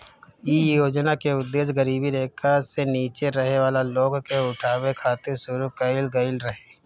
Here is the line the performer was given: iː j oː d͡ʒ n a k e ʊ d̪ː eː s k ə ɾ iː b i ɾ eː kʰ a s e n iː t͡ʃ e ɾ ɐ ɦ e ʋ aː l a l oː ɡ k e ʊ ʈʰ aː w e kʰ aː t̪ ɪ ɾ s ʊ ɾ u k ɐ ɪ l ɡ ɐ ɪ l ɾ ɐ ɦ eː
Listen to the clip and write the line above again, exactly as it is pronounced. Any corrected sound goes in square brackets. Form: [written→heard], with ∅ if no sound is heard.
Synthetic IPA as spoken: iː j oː d͡ʒ n a k e ʊ d̪ː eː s [k→ɡ] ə ɾ iː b i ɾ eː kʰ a s e n iː t͡ʃ e ɾ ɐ ɦ e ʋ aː l a l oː ɡ k e ʊ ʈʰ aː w e kʰ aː t̪ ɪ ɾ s ʊ ɾ u k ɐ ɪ l ɡ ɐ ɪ l ɾ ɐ ɦ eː